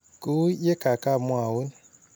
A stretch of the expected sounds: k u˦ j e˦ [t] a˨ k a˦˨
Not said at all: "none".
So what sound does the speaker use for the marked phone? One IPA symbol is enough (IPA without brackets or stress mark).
k